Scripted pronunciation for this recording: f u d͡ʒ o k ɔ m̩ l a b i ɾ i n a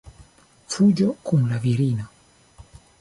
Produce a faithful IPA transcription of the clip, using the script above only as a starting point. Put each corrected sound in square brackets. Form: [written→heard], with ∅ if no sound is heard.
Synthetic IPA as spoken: f u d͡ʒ [o→ɔ] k [ɔ→u] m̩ l a [b→v] i ɾ i n a